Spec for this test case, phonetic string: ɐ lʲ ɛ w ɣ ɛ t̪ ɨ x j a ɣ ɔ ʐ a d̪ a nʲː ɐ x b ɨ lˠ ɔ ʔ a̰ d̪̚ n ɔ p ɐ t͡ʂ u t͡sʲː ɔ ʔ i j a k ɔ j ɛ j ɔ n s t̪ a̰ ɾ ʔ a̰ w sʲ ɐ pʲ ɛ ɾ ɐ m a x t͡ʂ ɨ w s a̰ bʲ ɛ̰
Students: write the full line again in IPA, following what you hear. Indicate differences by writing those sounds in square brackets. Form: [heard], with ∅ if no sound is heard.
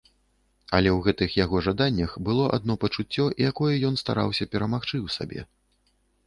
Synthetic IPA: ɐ lʲ ɛ w ɣ ɛ t̪ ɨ x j a ɣ ɔ ʐ a d̪ a nʲː ɐ x b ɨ lˠ ɔ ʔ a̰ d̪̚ n ɔ p ɐ t͡ʂ u t͡sʲː ɔ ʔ i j a k ɔ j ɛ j ɔ n s t̪ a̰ ɾ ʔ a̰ w sʲ ɐ pʲ ɛ ɾ ɐ m a x t͡ʂ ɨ w s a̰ bʲ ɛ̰

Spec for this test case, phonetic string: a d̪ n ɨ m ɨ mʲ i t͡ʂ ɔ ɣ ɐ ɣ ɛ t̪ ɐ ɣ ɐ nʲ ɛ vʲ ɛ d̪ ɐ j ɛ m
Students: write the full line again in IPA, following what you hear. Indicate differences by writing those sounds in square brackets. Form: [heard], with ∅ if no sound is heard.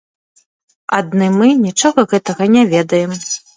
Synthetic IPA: a d̪ n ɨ m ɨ [nʲ] i t͡ʂ ɔ ɣ ɐ ɣ ɛ t̪ ɐ ɣ ɐ nʲ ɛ vʲ ɛ d̪ ɐ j ɛ m

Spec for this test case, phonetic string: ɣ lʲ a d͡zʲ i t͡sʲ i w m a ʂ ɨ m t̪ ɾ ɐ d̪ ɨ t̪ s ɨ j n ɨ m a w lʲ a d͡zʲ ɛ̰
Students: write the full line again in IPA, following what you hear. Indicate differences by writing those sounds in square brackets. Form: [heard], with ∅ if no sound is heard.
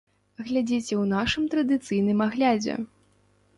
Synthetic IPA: ɣ lʲ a d͡zʲ i t͡sʲ [ɛ] w [n] a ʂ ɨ m t̪ ɾ ɐ d̪ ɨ t̪ s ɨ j n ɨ m a [ɣ] lʲ a d͡zʲ ɛ̰

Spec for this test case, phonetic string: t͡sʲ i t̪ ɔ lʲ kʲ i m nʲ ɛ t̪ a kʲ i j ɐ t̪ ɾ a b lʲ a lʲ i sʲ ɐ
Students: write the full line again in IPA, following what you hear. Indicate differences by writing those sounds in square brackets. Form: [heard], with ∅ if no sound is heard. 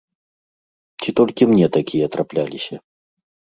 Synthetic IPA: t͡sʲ i t̪ ɔ lʲ kʲ i m nʲ ɛ t̪ a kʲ i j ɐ t̪ ɾ a [p] lʲ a lʲ i sʲ ɐ

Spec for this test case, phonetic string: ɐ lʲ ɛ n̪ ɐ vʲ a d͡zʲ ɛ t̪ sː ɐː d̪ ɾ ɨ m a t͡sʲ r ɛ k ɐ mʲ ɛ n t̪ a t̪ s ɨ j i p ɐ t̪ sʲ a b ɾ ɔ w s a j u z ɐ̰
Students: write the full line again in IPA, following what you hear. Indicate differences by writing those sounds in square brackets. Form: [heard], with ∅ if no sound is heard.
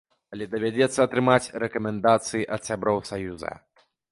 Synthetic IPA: ɐ lʲ ɛ [d̪] ɐ vʲ a d͡zʲ ɛ t̪ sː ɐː [t̪] ɾ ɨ m a t͡sʲ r ɛ k ɐ mʲ ɛ n [d̪] a t̪ s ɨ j i [ʔ] ɐ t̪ sʲ a b ɾ ɔ w s a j u z ɐ̰

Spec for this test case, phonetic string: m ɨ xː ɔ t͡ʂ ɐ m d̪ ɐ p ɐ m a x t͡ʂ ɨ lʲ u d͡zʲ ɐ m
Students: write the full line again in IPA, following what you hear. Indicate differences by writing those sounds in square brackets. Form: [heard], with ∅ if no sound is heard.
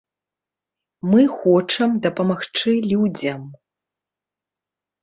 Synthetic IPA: m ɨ [x] ɔ t͡ʂ ɐ m d̪ ɐ p ɐ m a x t͡ʂ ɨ lʲ u d͡zʲ ɐ m

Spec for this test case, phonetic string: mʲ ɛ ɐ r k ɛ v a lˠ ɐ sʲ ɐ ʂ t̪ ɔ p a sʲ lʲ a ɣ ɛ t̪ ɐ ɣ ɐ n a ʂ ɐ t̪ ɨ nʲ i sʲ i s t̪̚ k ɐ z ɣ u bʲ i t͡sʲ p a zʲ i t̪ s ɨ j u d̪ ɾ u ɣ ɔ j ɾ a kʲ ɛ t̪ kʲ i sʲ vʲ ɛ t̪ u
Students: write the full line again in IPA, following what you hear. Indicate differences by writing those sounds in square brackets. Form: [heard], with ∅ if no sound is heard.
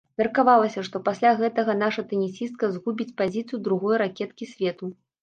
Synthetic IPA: mʲ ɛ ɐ r k [a] v a lˠ ɐ sʲ ɐ ʂ t̪ ɔ p a sʲ lʲ a ɣ ɛ t̪ ɐ ɣ ɐ n a ʂ ɐ t̪ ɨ nʲ i sʲ i s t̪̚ k ɐ z ɣ u bʲ i t͡sʲ p a zʲ i t̪ s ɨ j u d̪ ɾ u ɣ ɔ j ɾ a kʲ ɛ t̪ kʲ i sʲ vʲ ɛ t̪ u

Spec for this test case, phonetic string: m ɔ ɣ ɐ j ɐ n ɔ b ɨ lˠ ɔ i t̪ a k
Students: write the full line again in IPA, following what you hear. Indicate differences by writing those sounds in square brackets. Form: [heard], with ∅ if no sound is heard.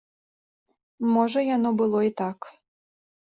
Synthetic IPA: m ɔ [ʐ] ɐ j [a] n ɔ b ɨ lˠ ɔ i t̪ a k

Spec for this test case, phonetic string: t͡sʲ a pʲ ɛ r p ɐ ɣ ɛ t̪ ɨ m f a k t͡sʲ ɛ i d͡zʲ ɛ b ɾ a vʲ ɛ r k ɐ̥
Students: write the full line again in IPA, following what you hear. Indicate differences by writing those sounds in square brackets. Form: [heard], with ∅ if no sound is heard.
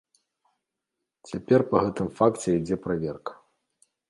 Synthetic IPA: t͡sʲ a pʲ ɛ r p ɐ ɣ ɛ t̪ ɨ m f a k t͡sʲ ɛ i d͡zʲ ɛ [p] ɾ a vʲ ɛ r k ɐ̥

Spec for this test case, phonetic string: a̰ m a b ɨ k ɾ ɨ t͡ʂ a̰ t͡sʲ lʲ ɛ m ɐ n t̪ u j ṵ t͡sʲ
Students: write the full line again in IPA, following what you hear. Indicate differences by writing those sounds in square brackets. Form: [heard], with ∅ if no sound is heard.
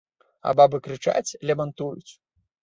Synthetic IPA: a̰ [b] a b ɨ k ɾ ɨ t͡ʂ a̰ t͡sʲ lʲ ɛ m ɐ n t̪ u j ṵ t͡sʲ

